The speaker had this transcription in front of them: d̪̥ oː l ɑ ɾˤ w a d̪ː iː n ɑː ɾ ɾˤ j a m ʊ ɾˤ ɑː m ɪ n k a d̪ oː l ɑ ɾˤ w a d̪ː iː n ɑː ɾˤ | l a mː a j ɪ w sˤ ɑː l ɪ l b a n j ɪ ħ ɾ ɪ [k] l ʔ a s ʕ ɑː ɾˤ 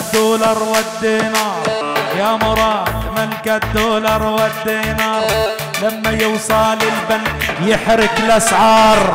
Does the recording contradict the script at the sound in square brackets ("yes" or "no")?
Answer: no